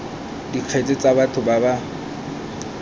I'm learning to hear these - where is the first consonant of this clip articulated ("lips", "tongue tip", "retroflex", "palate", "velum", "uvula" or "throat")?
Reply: tongue tip